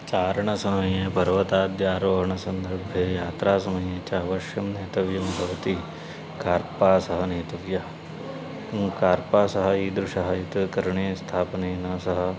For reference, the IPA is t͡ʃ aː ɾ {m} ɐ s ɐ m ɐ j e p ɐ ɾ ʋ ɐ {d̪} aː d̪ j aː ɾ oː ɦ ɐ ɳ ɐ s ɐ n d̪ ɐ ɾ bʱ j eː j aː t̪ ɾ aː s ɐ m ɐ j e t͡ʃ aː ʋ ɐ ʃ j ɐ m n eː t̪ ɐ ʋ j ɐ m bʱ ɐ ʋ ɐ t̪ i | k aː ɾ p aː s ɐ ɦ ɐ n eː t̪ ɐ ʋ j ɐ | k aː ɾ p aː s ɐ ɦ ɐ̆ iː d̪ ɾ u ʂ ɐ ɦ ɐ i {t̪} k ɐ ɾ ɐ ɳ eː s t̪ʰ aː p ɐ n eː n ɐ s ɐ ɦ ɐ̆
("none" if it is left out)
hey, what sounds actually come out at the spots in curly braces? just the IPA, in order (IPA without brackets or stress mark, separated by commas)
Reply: ɳ, t̪, t̪